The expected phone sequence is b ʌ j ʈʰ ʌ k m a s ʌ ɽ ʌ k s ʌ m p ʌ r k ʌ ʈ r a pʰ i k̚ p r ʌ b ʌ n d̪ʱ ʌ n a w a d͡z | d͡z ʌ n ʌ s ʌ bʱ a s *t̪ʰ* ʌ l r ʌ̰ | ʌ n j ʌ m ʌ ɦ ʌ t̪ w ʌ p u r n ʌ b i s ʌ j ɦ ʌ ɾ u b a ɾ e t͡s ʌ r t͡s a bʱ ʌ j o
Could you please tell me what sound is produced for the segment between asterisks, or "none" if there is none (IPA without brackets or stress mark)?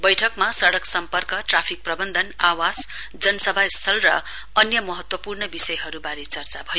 t̪ʰ